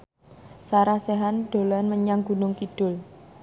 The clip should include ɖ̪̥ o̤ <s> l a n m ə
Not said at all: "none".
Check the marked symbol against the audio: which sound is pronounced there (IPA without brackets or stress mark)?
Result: none